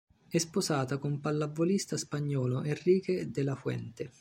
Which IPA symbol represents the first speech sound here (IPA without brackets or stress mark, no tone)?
ɛ